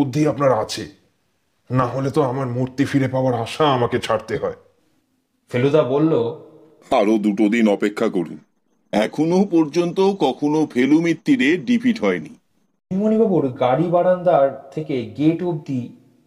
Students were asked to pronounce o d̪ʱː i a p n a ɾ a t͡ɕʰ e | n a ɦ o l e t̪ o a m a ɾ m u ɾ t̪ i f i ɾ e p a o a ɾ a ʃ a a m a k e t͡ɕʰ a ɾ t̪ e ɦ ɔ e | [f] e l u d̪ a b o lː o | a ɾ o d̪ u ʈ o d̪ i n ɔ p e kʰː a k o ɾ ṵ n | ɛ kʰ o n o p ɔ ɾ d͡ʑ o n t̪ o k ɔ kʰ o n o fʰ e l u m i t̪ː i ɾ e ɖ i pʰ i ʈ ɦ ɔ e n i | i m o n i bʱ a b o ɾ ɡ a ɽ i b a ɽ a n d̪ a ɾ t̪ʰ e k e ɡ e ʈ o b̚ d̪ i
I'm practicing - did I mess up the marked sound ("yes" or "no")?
no